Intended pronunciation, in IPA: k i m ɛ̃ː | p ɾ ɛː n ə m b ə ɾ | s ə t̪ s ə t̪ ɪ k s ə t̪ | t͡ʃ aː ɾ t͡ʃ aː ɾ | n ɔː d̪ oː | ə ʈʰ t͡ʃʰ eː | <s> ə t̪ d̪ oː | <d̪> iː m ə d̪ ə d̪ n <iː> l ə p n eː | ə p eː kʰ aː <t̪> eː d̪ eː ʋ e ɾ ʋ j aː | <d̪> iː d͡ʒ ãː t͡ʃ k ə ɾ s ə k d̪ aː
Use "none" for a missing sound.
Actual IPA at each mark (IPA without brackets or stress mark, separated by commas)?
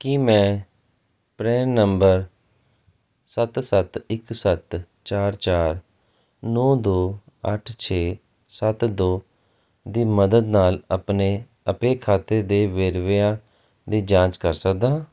s, d̪, aː, t̪, d̪